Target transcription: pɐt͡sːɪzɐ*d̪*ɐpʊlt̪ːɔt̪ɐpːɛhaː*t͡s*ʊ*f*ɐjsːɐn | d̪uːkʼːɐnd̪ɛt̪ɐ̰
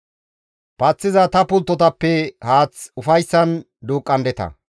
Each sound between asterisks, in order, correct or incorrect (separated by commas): incorrect, correct, correct